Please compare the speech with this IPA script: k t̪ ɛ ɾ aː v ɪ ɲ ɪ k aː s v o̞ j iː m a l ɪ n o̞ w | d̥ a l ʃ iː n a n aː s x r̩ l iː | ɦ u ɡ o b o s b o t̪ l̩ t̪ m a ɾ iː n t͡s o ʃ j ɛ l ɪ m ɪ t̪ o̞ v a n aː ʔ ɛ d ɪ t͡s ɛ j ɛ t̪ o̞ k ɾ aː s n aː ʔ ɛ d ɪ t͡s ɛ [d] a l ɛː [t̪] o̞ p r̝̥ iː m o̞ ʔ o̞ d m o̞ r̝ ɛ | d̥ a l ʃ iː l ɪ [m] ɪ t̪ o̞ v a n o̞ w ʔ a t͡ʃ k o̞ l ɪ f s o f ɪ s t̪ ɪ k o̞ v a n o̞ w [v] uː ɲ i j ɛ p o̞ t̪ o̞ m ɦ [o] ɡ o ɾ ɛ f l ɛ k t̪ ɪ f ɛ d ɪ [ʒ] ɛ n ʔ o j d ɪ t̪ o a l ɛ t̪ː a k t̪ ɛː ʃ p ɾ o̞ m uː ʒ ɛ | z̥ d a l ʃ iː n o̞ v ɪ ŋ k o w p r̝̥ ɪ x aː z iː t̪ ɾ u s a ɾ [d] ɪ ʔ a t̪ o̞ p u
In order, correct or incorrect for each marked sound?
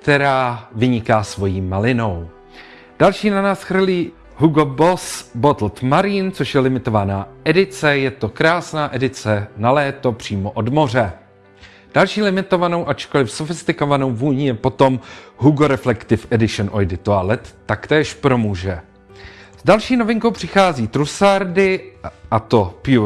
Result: incorrect, correct, correct, correct, incorrect, incorrect, correct

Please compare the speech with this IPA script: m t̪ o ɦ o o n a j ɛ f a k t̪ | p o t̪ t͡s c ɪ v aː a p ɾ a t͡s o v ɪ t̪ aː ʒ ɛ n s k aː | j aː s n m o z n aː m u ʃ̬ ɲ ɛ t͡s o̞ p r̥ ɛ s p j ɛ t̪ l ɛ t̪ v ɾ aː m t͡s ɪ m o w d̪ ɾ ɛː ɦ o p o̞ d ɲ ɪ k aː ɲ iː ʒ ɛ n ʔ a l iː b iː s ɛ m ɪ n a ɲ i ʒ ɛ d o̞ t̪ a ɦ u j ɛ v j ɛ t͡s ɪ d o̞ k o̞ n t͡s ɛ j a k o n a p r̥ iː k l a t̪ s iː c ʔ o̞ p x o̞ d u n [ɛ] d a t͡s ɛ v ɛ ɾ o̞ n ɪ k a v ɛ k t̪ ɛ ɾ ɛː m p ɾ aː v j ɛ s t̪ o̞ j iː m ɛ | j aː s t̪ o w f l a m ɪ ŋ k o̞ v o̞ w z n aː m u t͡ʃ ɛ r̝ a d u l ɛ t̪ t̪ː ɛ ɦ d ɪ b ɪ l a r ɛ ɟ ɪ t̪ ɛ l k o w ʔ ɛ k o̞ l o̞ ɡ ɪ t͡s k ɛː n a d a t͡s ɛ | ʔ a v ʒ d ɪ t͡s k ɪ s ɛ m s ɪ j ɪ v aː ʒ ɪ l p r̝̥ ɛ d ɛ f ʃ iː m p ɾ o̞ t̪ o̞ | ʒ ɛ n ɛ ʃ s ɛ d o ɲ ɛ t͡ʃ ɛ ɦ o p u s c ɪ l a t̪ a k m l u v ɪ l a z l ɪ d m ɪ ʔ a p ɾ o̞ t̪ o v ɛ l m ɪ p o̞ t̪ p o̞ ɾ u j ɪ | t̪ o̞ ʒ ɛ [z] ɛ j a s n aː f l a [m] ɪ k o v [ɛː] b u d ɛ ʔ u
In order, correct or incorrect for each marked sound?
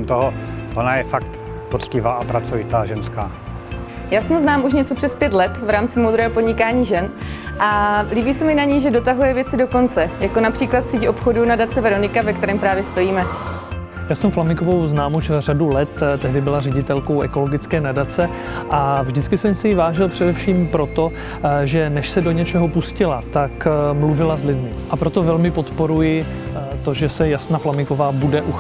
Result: incorrect, incorrect, correct, incorrect

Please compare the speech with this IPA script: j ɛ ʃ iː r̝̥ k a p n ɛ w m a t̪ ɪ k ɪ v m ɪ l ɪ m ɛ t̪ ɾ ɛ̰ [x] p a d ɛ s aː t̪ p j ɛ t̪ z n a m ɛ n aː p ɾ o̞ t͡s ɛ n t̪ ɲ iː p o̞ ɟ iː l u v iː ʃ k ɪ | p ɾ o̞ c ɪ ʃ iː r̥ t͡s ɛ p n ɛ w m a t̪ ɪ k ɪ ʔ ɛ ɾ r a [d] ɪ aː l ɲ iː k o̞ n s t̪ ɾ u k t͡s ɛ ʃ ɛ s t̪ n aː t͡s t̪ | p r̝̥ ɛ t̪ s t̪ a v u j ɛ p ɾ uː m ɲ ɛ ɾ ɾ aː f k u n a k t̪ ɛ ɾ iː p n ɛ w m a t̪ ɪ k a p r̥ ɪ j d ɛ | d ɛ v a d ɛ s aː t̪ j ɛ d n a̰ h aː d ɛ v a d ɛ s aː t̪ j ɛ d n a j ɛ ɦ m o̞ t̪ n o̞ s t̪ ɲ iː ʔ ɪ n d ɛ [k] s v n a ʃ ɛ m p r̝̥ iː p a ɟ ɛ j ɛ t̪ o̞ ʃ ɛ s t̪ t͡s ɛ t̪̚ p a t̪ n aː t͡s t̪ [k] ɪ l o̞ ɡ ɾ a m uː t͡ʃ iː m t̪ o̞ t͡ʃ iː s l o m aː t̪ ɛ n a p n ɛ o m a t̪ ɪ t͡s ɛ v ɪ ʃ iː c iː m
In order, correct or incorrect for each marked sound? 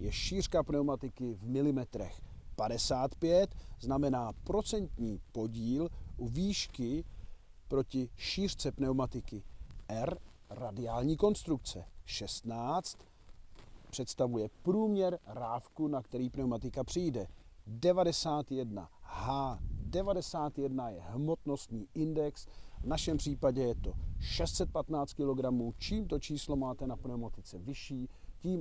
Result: correct, correct, correct, correct

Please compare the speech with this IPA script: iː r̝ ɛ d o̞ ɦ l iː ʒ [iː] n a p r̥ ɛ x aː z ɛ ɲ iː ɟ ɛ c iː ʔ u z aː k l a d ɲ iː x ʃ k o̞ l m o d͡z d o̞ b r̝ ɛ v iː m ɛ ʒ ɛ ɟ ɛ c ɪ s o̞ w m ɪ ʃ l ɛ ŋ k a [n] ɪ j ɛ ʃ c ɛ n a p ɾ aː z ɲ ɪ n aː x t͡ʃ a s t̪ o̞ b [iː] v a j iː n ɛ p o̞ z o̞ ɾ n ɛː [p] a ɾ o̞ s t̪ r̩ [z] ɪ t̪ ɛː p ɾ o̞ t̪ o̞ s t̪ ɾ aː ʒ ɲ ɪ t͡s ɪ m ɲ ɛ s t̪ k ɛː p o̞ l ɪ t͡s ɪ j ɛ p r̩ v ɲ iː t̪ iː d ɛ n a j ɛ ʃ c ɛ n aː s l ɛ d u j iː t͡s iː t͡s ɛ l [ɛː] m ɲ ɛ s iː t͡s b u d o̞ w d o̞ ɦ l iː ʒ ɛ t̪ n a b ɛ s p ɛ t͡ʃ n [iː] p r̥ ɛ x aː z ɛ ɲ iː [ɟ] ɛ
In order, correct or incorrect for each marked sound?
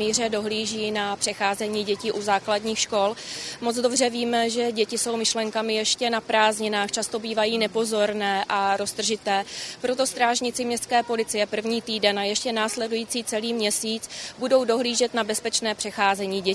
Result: correct, incorrect, correct, incorrect, incorrect, incorrect, incorrect, correct

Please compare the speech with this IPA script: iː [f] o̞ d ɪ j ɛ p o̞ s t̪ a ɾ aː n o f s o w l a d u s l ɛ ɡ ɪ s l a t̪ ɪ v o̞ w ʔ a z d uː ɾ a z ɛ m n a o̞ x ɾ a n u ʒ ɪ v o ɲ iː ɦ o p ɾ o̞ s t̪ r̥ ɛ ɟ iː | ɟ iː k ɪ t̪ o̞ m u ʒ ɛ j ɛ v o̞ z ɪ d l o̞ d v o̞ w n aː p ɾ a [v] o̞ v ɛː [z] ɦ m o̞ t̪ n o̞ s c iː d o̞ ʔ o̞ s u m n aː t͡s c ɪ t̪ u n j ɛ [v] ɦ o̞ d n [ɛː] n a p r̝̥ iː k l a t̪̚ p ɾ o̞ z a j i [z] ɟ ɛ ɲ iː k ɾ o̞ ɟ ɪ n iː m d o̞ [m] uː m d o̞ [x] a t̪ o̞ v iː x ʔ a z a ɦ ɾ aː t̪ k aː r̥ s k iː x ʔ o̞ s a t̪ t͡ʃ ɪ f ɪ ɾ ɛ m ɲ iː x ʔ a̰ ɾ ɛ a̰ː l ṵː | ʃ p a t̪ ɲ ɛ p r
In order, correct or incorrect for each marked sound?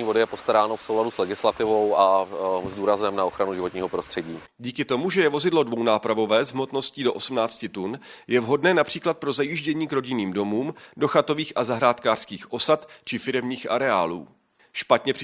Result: incorrect, correct, correct, correct, correct, incorrect, correct, correct

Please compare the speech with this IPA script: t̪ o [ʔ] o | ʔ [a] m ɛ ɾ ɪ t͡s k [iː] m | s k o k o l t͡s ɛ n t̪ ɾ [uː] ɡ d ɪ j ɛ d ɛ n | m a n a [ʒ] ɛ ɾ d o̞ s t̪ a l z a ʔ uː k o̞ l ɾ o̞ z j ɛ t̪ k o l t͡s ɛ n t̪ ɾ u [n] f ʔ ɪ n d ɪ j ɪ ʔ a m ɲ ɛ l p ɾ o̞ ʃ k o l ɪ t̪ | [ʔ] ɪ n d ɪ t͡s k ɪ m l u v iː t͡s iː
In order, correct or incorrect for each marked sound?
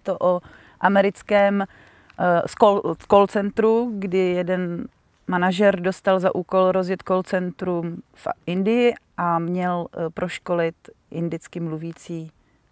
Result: correct, correct, incorrect, incorrect, correct, incorrect, correct

